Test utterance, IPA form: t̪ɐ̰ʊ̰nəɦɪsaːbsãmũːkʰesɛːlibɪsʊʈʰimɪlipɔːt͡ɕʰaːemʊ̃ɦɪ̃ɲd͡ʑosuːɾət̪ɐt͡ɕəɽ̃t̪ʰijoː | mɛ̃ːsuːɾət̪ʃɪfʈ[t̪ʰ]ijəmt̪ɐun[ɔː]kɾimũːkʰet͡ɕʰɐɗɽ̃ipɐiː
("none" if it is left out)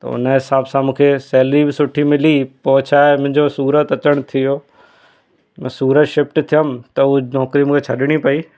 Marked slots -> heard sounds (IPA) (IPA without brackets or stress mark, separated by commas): t̪ʰ, ɔː